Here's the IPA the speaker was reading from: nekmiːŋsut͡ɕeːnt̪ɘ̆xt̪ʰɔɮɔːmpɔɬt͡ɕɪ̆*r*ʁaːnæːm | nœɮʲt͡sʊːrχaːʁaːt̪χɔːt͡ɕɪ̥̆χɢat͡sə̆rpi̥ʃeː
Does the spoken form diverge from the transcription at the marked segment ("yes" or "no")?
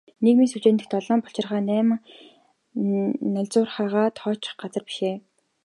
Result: no